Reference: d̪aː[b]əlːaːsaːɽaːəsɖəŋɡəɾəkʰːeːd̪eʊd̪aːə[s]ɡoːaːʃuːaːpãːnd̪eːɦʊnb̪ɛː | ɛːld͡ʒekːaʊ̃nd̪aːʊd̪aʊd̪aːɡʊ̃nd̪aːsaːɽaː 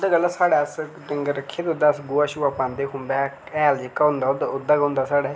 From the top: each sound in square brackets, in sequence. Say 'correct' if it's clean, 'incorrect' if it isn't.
incorrect: ɡ, correct

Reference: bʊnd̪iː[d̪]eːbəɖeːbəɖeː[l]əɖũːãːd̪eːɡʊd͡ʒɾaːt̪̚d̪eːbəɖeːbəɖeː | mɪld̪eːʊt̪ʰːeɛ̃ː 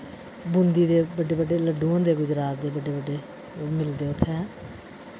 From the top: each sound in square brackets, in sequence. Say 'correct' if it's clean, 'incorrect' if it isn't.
correct, correct

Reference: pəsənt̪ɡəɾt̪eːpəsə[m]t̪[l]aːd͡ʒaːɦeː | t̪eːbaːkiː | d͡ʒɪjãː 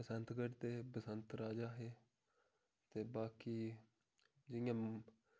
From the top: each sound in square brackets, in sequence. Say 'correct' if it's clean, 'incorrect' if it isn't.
incorrect: n, incorrect: ɾ

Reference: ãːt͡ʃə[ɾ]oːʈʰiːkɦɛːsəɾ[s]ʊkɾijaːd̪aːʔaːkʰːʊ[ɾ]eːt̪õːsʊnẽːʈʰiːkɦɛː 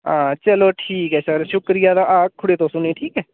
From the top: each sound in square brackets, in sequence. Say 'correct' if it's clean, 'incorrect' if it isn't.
incorrect: l, incorrect: ʃ, incorrect: ɽ

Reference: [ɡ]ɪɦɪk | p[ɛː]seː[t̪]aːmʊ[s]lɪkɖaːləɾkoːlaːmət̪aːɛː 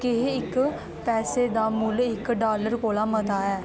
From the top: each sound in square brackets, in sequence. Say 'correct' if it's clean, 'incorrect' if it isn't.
incorrect: k, correct, incorrect: d̪, incorrect: none

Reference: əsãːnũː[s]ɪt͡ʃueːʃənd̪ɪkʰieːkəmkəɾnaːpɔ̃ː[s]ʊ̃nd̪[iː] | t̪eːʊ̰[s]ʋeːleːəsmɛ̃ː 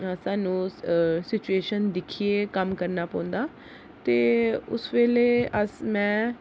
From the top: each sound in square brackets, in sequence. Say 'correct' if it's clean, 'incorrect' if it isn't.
correct, incorrect: none, incorrect: aː, correct

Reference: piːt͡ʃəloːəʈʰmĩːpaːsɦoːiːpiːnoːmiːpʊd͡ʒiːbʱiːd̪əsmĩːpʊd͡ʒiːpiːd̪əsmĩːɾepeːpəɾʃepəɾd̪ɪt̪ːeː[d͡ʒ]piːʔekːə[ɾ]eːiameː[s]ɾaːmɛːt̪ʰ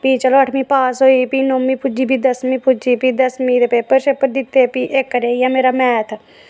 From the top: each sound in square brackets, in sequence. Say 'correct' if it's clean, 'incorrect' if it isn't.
incorrect: none, correct, incorrect: none

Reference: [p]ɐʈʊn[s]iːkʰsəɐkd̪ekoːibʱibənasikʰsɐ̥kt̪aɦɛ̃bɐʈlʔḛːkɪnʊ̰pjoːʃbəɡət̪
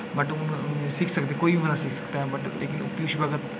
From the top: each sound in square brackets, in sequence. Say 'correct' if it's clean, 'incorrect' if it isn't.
incorrect: b, correct

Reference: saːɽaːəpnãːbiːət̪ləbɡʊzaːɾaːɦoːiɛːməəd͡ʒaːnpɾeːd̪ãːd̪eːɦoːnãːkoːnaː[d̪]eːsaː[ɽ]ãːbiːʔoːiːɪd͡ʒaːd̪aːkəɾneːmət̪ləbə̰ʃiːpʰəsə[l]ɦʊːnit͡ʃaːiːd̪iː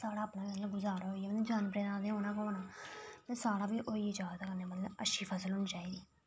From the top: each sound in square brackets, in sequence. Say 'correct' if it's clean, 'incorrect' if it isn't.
incorrect: t̪, correct, correct

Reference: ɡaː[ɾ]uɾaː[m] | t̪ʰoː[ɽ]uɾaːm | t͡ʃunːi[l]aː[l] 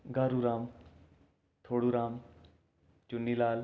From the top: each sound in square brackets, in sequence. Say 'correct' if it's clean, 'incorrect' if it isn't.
correct, correct, correct, correct, correct

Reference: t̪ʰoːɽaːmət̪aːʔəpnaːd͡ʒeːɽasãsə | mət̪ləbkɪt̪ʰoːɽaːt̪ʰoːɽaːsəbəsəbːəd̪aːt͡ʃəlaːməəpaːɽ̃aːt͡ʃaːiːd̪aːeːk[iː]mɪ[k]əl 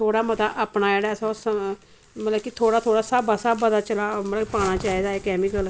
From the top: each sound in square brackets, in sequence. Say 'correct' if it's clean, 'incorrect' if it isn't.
incorrect: ɛː, correct

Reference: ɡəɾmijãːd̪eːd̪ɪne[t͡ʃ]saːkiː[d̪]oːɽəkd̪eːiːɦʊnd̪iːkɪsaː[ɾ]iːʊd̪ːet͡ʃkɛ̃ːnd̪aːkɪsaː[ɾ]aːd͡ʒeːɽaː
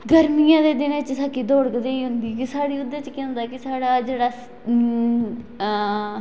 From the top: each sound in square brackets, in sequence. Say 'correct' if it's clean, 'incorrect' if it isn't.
correct, correct, incorrect: ɽ, incorrect: ɽ

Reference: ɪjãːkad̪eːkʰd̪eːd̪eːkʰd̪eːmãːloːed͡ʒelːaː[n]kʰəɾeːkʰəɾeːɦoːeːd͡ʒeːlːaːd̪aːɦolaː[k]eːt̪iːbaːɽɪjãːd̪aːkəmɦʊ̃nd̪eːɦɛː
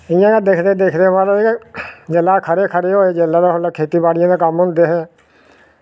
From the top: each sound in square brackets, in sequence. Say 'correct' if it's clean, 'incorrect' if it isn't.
incorrect: none, incorrect: kʰ

